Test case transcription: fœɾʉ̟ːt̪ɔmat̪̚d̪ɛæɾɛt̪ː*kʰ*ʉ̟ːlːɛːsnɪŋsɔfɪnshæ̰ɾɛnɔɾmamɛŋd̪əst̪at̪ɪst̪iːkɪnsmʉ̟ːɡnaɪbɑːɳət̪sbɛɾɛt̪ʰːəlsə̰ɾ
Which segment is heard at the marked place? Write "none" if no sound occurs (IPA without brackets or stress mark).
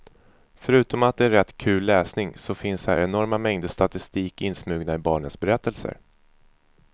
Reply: kʰ